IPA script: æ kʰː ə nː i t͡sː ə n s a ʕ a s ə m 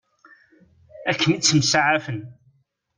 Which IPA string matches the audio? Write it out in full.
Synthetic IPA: æ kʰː ə n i t͡sː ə m s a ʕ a f ə n

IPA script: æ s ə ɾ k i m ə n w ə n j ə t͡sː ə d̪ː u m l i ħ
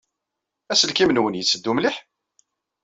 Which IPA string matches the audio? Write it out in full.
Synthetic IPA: æ s ə l k i m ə n w ə n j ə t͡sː ə d̪ː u m l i ħ

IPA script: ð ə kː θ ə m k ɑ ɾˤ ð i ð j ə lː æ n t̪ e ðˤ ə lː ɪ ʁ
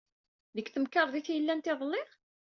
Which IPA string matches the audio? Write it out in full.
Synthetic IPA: ð ə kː θ ə m k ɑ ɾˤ ð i θ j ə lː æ n t̪ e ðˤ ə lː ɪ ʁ

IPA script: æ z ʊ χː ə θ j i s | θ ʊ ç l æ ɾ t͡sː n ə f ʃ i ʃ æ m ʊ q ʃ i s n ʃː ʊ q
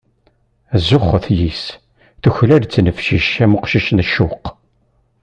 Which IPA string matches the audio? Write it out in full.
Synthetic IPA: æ z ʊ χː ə θ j i s | θ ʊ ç l æ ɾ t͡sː n ə f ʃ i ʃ æ m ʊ q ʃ i ʃ n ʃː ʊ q

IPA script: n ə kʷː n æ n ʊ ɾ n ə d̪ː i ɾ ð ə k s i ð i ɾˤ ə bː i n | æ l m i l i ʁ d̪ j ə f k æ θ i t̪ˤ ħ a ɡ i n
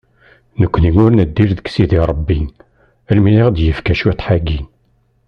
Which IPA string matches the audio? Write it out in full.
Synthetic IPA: n ə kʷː n i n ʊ ɾ n ə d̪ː i ɾ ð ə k s i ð i ɾˤ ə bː i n | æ l m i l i ʁ d̪ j ə f k æ ʃ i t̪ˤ ħ a ɡ i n

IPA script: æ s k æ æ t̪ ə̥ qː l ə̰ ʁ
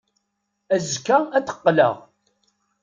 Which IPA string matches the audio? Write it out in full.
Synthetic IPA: æ z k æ æ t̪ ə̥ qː l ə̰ ʁ

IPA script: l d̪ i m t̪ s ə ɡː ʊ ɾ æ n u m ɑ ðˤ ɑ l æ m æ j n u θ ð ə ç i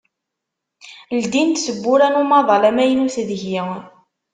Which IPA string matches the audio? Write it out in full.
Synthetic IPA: l d̪ i n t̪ s ə bː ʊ ɾ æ n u m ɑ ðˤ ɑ l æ m æ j n u θ ð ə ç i

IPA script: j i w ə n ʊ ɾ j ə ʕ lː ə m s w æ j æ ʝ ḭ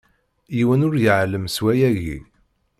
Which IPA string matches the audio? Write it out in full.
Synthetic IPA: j i w ə n ʊ ɾ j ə ʕ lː ə m s w æ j æ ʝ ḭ

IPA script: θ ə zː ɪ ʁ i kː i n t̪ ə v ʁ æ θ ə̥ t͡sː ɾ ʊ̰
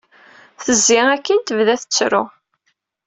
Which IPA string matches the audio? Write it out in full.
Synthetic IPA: θ ə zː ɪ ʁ æ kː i n t̪ ə v ð æ θ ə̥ t͡sː ɾ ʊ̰

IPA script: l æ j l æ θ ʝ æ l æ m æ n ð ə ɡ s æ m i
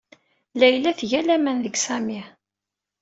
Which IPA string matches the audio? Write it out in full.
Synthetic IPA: l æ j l æ θ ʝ æ l æ m æ n ð ə ɡ s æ m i

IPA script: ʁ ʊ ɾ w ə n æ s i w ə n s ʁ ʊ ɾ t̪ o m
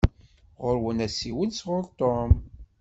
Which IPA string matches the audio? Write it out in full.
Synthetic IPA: ʁ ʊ ɾ w ə n æ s i w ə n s ʁ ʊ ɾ t̪ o m

